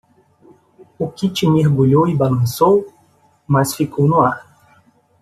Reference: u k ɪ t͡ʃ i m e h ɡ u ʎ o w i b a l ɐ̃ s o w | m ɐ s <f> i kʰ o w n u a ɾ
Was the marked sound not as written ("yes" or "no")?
no